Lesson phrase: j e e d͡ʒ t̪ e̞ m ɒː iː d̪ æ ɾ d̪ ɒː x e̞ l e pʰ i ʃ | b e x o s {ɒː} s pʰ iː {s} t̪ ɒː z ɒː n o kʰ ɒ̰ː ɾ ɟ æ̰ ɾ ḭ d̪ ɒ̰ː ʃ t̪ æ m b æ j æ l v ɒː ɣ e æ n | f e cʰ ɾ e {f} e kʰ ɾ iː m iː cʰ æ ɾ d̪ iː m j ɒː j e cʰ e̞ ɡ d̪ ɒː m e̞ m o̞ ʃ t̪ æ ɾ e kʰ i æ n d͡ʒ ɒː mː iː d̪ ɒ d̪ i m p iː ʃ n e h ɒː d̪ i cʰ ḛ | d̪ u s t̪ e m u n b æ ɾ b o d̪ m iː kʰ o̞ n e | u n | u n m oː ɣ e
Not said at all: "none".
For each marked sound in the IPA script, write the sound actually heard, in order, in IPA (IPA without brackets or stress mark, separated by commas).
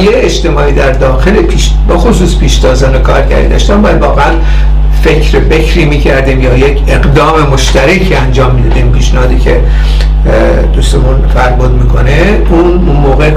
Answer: uː, ʃ, f